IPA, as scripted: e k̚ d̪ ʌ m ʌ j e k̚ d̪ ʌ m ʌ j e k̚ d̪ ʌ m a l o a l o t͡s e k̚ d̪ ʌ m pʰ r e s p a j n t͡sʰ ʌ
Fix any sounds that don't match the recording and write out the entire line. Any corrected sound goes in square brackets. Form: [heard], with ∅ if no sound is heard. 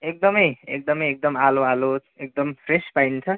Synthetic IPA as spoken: e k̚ d̪ ʌ m ʌ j e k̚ d̪ ʌ m ʌ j e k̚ d̪ ʌ m a l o a l o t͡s e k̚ d̪ ʌ m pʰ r e s p a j n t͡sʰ ʌ